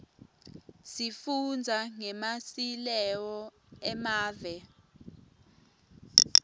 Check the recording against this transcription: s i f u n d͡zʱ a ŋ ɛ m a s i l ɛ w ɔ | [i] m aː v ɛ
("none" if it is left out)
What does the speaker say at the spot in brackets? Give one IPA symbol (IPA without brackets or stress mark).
ɛ